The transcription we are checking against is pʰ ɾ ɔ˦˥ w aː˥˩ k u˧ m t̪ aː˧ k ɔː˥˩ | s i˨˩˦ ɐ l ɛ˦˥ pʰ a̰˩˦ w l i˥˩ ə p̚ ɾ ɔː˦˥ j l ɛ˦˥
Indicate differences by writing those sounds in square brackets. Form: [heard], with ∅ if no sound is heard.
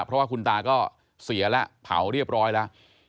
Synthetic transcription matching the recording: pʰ ɾ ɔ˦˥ w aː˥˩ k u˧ [n] t̪ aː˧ k ɔː˥˩ | s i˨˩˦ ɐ l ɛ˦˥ pʰ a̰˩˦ w [ɾ] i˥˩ ə p̚ ɾ ɔː˦˥ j l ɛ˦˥